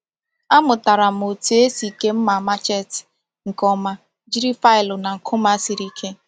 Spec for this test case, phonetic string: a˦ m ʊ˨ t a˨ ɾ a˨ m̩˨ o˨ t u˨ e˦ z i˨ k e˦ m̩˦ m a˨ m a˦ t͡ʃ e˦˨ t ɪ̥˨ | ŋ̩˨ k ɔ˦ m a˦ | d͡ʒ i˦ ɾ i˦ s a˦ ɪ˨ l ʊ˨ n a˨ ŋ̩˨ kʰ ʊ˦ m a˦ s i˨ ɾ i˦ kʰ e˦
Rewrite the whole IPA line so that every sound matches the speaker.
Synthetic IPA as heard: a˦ m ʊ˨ t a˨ ɾ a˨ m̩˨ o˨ t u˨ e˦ s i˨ k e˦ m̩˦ m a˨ m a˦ t͡ʃ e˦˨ t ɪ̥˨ | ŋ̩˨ k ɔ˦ m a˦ | d͡ʒ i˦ ɾ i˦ f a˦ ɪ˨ l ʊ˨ n a˨ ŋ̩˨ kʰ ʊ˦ m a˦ s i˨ ɾ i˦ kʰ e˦